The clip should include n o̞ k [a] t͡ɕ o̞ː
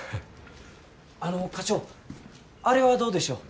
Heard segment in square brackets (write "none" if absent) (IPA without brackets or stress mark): a